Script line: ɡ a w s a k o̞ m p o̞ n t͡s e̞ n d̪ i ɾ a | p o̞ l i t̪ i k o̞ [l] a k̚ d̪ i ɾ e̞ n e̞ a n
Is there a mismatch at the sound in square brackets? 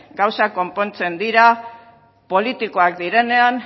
yes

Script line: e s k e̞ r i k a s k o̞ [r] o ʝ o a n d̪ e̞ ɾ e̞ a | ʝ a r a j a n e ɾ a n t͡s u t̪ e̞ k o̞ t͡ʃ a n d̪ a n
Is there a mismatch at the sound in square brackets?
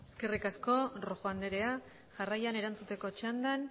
no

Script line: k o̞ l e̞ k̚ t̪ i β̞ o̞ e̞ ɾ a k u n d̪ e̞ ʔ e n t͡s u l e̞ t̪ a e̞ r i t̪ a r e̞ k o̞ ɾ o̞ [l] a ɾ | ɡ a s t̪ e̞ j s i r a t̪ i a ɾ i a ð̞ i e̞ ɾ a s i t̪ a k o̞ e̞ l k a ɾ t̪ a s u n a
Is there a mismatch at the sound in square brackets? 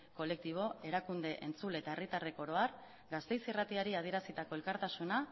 yes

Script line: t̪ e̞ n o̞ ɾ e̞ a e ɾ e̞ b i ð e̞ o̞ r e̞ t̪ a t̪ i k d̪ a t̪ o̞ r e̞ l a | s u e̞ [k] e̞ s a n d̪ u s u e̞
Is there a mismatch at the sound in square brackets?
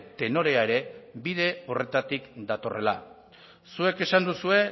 no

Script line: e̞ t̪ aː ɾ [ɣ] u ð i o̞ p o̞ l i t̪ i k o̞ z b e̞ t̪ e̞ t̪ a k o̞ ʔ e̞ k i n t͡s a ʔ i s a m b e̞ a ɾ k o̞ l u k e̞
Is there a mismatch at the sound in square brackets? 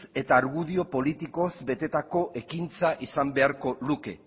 no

